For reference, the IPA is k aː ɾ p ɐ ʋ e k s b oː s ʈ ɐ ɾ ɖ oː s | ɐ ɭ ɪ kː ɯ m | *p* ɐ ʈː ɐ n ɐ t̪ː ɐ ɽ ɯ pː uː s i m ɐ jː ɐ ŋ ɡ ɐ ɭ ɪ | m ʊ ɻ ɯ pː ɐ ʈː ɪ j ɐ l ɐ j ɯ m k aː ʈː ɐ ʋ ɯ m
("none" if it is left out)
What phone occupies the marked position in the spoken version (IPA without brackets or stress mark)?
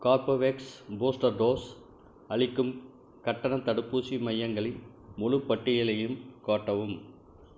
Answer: k